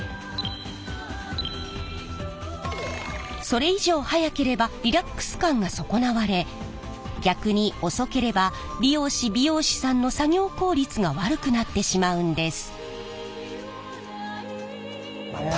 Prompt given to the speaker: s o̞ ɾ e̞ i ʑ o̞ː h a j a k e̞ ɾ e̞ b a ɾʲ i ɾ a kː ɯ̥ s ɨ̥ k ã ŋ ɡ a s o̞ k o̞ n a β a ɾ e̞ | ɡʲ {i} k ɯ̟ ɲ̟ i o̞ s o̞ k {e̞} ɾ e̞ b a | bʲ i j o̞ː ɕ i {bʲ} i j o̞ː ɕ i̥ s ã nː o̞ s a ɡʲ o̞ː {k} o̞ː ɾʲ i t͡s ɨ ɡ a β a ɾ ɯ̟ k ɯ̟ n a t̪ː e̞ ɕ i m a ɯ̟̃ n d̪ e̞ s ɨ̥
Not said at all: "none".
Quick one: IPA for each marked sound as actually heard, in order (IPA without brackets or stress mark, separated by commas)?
a, e̞, bʲ, k